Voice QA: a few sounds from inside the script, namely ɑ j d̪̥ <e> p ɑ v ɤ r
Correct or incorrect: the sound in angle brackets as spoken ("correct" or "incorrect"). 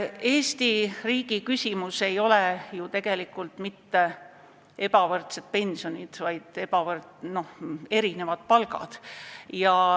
correct